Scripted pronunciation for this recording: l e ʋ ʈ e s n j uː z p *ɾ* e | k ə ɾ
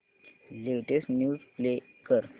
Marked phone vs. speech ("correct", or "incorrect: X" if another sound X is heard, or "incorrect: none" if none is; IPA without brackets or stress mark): incorrect: l